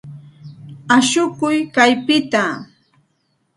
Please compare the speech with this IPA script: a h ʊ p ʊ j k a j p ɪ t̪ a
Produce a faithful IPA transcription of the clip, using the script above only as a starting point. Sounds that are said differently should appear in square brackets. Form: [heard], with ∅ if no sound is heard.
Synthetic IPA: a [ʃ] ʊ [k] ʊ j k a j p ɪ t̪ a